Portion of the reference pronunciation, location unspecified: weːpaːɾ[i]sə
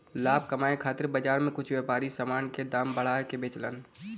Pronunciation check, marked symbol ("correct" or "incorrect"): correct